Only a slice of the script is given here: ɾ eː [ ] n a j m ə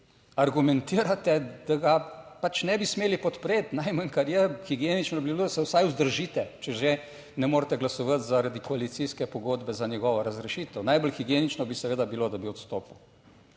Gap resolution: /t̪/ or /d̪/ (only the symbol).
t̪